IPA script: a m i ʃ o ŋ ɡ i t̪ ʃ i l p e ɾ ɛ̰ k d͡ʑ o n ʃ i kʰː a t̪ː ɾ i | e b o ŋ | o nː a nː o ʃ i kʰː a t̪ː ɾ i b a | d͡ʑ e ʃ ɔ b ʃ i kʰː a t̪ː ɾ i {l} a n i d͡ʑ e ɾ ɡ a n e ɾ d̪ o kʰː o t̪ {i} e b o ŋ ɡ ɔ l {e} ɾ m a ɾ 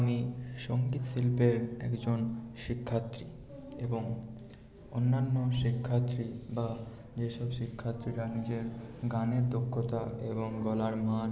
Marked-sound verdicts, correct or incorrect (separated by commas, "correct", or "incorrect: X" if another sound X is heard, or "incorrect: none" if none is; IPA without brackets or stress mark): incorrect: ɾ, incorrect: a, incorrect: a